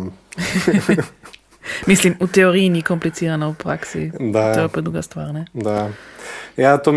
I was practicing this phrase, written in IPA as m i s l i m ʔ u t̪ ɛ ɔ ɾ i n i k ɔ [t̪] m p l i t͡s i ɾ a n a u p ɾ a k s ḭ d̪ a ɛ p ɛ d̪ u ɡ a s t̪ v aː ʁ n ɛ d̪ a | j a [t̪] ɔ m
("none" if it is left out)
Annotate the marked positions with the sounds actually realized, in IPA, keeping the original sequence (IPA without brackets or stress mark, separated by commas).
none, t̪